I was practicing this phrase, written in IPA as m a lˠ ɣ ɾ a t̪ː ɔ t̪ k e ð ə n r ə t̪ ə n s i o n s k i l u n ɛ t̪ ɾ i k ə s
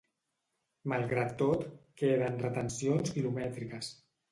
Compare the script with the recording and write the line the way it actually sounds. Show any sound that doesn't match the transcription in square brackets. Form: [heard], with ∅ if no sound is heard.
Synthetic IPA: m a lˠ ɣ ɾ a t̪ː [o] t̪ k e ð ə n r ə t̪ ə n s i o n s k i l u [m] ɛ t̪ ɾ i k ə s

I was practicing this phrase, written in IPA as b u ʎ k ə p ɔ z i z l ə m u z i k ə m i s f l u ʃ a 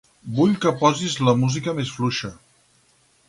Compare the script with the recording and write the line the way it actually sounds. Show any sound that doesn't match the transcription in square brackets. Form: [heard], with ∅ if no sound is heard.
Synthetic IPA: b u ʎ k ə p ɔ z i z l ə m u z i k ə m [e] s f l u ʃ [ə]

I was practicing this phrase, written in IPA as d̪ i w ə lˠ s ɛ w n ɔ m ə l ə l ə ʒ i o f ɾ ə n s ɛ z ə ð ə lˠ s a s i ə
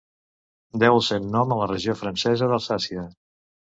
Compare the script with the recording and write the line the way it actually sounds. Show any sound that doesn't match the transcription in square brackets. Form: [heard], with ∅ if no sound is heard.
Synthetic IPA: d̪ [ɛ] w ə lˠ s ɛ w n ɔ m ə l ə [r] ə ʒ i o f ɾ ə n s ɛ z ə ð ə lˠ s a s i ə

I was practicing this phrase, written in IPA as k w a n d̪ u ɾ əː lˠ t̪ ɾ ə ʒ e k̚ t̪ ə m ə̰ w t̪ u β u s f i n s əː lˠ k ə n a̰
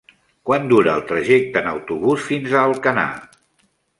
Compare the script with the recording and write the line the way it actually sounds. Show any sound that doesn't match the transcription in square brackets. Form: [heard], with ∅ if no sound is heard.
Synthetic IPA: k w a n d̪ u ɾ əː lˠ t̪ ɾ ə ʒ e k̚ t̪ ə [n] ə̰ w t̪ u β u s f i n [z] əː lˠ k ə n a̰

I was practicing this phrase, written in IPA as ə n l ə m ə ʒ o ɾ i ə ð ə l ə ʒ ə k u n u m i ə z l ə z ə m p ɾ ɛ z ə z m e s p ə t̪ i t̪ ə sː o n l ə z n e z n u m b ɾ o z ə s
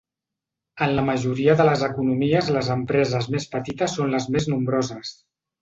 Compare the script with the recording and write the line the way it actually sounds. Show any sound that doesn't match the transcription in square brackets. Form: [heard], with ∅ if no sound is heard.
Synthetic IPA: ə n l ə m ə ʒ [u] ɾ i ə ð ə l ə [z] ə k u n u m i ə z l ə z ə m p ɾ ɛ z ə z m e s p ə t̪ i t̪ ə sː o n l ə z [m] e z n u m b ɾ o z ə s

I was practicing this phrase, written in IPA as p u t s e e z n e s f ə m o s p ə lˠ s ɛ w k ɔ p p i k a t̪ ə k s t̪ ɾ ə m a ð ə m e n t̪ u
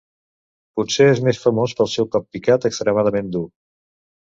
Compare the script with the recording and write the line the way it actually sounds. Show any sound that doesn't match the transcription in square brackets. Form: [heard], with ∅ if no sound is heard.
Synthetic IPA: p u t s e e z [m] e s f ə m o s p ə lˠ s ɛ w k ɔ p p i k a t̪ ə k s t̪ ɾ ə m a ð ə m e n [d̪] u

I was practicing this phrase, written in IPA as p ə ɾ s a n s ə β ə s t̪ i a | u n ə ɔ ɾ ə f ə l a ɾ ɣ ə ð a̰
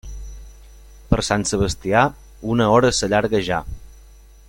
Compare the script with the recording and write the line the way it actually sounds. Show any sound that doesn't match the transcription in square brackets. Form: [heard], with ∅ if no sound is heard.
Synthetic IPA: p ə ɾ s a n s ə β ə s t̪ i a | u n ə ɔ ɾ ə [s] ə [ʎ] a ɾ ɣ ə [ʒ] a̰

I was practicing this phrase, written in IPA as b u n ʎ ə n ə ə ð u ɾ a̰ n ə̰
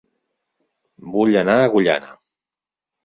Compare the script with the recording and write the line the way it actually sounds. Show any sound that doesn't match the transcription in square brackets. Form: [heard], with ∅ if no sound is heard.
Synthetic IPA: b u [∅] ʎ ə n [a] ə [ɣ] u [ʎ] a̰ n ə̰

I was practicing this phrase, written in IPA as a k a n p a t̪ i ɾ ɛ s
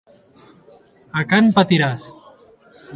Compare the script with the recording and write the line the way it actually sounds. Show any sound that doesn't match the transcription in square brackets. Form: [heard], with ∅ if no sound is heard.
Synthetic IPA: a k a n p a t̪ i ɾ [a] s

